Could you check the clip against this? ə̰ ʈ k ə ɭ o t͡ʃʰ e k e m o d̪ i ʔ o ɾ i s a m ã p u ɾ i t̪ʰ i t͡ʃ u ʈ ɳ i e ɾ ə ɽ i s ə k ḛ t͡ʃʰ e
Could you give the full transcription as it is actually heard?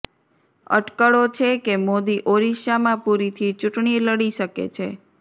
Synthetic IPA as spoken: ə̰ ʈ k ə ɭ o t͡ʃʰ e k e m o d̪ i ʔ o ɾ i ʃ a m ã p u ɾ i t̪ʰ i t͡ʃ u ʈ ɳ i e l ə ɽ i ʃ ə k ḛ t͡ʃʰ e